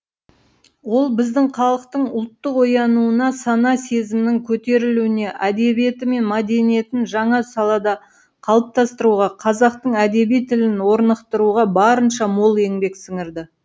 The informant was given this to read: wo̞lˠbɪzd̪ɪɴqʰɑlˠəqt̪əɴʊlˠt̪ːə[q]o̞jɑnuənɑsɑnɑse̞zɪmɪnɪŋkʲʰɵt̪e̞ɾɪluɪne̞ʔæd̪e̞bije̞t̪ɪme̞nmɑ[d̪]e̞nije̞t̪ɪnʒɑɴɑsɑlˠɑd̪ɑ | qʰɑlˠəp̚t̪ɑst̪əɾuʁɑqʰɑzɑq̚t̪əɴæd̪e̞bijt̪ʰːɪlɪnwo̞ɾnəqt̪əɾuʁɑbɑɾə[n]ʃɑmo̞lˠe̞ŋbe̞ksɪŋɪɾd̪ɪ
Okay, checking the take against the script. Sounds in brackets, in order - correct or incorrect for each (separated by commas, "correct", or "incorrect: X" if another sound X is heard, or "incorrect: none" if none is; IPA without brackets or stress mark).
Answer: correct, correct, correct